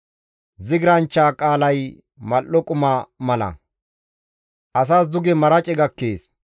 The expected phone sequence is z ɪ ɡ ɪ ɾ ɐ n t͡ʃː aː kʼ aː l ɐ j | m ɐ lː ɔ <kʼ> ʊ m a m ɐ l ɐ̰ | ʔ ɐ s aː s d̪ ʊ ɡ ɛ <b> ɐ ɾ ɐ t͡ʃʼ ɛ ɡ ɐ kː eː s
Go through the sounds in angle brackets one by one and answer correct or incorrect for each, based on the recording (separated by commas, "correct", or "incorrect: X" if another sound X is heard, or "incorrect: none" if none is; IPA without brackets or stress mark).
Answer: correct, incorrect: m